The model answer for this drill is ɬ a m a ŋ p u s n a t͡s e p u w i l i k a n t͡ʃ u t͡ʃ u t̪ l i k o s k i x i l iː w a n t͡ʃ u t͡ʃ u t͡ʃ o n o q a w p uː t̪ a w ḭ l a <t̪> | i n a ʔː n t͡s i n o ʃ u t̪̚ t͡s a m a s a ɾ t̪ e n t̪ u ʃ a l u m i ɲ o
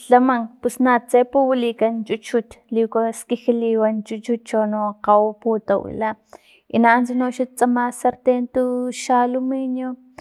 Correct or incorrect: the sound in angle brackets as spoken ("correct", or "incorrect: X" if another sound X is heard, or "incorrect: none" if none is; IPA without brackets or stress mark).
incorrect: none